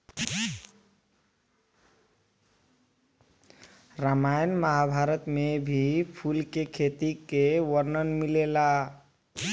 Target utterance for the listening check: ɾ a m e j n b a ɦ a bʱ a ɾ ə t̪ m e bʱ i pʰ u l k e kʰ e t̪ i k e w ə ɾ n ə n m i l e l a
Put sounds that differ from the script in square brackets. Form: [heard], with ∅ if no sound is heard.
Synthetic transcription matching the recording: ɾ a m [a] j n [m] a ɦ a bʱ a ɾ ə t̪ m e bʱ i pʰ u l k e kʰ e t̪ i k e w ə ɾ n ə n m i l e l a

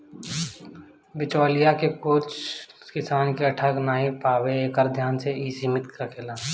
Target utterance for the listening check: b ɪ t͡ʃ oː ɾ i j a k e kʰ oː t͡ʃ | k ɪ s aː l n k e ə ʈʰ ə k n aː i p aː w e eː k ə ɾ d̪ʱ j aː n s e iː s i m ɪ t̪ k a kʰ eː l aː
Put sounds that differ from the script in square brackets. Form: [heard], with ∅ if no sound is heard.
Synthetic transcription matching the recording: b ɪ t͡ʃ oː [l] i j a k e [k] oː t͡ʃ | k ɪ s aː [∅] n k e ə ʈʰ ə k n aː i p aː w e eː k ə ɾ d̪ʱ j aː n s e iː s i m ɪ t̪ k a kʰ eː l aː

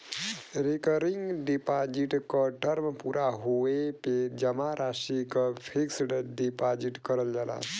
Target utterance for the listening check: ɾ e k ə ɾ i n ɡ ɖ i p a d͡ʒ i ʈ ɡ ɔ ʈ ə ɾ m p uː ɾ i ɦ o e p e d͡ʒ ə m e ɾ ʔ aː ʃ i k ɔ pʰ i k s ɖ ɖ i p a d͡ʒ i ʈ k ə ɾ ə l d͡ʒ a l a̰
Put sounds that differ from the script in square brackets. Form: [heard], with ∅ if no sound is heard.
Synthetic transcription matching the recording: ɾ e k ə ɾ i [ŋ] ɡ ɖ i p a d͡ʒ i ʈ [k] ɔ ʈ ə ɾ m p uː ɾ [a] ɦ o e p e d͡ʒ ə m [a] ɾ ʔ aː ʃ i k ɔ pʰ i k s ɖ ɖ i p a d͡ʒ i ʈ k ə ɾ ə l d͡ʒ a l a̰

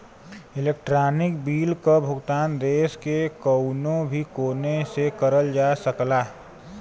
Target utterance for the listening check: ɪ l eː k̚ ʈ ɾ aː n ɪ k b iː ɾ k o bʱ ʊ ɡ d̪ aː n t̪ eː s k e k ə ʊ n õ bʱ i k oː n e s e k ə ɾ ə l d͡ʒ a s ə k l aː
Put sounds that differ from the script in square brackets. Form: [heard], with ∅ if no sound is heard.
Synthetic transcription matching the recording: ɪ l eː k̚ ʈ ɾ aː n ɪ k b iː [l] k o bʱ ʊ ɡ [t̪] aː n [d̪] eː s k e k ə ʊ n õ bʱ i k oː n e s e k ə ɾ ə l d͡ʒ a s ə k l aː

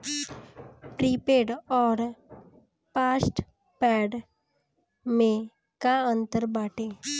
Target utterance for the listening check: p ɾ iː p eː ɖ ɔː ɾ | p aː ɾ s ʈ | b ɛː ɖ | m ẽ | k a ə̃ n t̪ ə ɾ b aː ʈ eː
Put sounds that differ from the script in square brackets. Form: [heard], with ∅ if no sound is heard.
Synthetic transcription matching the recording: p ɾ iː p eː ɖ ɔː ɾ | p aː [∅] s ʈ | [p] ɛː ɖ | m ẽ | k a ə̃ n t̪ ə ɾ b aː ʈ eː

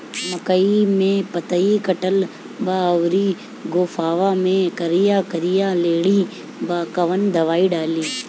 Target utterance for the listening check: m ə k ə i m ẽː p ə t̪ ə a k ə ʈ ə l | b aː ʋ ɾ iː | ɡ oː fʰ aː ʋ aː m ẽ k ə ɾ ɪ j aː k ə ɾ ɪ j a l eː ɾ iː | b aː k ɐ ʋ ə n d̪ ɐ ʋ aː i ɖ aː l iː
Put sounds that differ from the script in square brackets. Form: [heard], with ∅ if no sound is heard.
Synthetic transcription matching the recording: m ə k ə i m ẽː p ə t̪ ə [i] k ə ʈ ə l | b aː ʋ ɾ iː | ɡ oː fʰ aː ʋ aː m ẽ k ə ɾ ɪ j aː k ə ɾ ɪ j a l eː [ɽ] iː | b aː k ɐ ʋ ə n d̪ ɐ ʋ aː i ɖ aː l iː

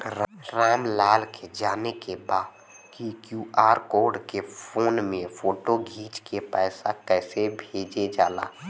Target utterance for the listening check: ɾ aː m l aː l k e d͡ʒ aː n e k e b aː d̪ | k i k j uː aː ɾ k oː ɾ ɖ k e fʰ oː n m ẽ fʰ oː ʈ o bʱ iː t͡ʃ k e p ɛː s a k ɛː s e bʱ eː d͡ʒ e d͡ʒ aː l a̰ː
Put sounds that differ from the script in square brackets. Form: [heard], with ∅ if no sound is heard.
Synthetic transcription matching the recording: ɾ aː m l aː l k e d͡ʒ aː n e k e b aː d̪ | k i k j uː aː ɾ k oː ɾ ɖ k e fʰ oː n m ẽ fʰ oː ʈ o [ɡʱ] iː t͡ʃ k e p ɛː s a k ɛː s e bʱ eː d͡ʒ e d͡ʒ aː l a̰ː

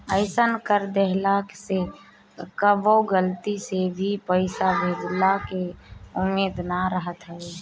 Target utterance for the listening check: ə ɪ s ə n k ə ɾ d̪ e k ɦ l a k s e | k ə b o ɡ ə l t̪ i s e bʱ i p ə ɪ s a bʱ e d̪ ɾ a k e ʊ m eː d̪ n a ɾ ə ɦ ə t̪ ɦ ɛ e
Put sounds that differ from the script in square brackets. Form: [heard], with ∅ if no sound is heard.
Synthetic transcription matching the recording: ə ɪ s ə n k ə ɾ d̪ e [∅] ɦ l a k s e | k ə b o ɡ ə l t̪ i s e bʱ i p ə ɪ s a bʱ e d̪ [l] a k e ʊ m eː d̪ n a ɾ ə ɦ ə t̪ ɦ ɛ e

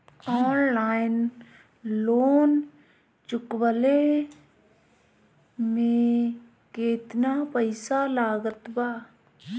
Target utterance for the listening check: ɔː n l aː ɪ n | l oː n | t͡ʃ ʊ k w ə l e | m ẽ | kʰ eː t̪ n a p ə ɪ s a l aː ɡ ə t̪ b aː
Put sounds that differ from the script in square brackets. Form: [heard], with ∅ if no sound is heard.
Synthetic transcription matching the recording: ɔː n l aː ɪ n | l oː n | t͡ʃ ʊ k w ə l e | m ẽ | [k] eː t̪ n a p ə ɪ s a l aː ɡ ə t̪ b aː

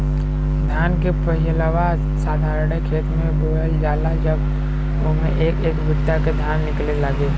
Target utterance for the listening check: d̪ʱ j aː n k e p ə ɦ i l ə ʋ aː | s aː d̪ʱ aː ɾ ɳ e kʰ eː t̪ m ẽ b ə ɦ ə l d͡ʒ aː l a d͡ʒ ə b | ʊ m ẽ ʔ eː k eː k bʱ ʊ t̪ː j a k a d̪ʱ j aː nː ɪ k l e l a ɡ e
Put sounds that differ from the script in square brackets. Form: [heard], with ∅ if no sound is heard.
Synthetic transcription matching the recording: d̪ʱ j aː n k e p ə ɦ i l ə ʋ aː | s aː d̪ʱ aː ɾ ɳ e kʰ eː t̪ m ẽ b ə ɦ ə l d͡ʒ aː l a d͡ʒ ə b | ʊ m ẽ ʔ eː k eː k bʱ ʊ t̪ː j a k [e] d̪ʱ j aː nː ɪ k l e l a ɡ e

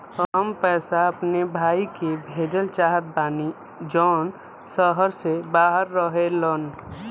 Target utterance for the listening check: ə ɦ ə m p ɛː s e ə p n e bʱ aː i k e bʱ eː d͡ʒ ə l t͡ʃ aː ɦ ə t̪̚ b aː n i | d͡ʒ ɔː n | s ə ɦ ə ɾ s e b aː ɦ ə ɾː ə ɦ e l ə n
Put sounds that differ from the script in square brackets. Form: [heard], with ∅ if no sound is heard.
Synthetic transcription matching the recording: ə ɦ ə m p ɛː s [a] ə p n e bʱ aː i k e bʱ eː d͡ʒ ə l t͡ʃ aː ɦ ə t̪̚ b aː n i | d͡ʒ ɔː n | s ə ɦ ə ɾ s e b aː ɦ ə ɾː ə ɦ e l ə n

